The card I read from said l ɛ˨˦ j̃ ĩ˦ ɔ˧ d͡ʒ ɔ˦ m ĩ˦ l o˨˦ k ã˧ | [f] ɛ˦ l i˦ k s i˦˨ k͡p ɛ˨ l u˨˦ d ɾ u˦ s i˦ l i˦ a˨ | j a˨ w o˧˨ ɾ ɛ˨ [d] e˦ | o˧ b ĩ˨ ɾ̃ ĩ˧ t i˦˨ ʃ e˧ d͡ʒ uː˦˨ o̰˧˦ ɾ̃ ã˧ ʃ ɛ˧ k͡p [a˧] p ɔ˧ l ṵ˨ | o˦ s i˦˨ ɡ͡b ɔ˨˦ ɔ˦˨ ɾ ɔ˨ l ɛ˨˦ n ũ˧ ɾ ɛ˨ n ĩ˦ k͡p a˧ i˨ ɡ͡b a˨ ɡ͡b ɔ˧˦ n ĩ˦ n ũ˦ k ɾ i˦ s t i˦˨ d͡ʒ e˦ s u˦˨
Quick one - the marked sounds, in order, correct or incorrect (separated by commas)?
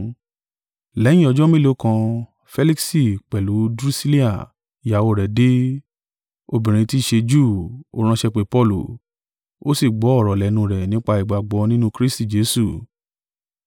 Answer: correct, correct, incorrect